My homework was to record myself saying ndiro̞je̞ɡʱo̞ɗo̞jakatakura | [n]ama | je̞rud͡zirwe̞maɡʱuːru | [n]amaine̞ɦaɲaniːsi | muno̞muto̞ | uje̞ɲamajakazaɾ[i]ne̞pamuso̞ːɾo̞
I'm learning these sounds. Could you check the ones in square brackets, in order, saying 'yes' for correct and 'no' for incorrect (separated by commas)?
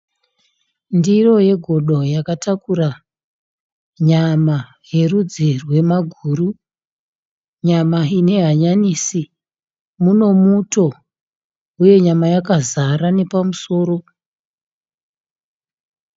no, no, no